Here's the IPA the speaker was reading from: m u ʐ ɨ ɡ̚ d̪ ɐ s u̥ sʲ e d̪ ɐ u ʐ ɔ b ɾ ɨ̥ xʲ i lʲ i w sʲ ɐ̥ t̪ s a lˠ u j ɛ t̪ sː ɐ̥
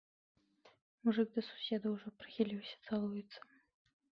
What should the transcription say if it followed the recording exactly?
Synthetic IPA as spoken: m u ʐ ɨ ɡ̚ d̪ ɐ s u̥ sʲ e d̪ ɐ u ʐ ɔ p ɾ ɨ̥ xʲ i lʲ i w sʲ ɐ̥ t̪ s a lˠ u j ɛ t̪ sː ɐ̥